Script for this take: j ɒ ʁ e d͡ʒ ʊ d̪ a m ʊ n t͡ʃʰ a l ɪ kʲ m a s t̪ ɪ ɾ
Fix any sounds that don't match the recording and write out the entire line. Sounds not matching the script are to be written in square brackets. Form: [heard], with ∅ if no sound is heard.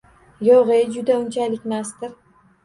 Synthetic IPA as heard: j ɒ ʁ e d͡ʒ ʊ d̪ a [∅] ʊ n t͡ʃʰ a l ɪ kʲ m a s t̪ ɪ ɾ